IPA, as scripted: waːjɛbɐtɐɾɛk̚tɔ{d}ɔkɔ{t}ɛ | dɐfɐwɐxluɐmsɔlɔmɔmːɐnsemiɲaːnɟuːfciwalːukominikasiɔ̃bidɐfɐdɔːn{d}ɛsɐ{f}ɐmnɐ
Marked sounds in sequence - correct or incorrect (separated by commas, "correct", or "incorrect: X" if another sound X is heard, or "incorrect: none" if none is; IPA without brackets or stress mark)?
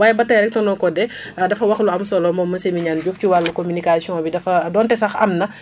incorrect: n, incorrect: d, incorrect: t, incorrect: x